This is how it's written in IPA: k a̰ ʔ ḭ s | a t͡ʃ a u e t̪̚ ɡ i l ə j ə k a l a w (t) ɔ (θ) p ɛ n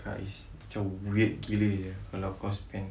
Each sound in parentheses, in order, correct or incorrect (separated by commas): incorrect, incorrect